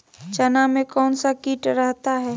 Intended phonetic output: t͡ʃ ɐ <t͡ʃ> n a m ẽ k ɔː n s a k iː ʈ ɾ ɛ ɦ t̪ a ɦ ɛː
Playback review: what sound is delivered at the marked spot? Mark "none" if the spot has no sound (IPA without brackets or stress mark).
none